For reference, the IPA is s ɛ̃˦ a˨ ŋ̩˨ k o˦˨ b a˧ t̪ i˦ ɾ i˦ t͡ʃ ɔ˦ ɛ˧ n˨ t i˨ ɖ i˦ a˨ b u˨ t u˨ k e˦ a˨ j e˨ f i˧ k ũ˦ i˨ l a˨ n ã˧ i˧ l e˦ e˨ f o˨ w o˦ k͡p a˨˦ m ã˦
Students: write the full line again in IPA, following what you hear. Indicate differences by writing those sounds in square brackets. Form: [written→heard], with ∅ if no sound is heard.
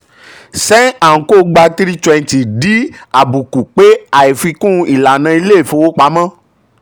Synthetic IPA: s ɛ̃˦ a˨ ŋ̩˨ k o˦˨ [b→ɡ͡b] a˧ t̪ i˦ ɾ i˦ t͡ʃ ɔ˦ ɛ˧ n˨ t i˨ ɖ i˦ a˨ b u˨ [t→k] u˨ [k→k͡p] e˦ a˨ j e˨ f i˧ k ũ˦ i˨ l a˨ n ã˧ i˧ l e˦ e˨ f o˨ w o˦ k͡p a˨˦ m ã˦